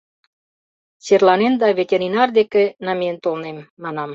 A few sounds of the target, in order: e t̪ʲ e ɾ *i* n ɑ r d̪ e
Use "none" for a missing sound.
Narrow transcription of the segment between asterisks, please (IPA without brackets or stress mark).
i